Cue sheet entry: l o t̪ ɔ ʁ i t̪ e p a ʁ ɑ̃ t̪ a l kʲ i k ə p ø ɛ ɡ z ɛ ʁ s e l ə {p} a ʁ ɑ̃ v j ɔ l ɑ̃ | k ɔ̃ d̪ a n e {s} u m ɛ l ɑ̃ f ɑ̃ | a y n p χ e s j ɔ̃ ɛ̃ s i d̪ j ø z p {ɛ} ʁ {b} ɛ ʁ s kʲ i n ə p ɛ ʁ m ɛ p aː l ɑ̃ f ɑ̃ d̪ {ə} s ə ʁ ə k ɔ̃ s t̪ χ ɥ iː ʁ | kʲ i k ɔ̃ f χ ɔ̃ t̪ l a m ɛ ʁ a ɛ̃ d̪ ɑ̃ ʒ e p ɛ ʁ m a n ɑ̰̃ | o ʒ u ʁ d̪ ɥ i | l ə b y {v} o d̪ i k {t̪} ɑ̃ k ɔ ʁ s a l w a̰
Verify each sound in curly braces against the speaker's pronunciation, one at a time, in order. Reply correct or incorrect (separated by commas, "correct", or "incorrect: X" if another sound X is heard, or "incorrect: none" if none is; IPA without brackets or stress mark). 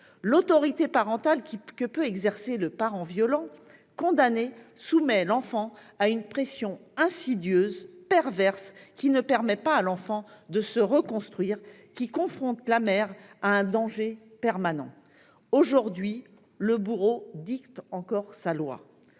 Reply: correct, correct, correct, incorrect: v, correct, incorrect: ʁ, correct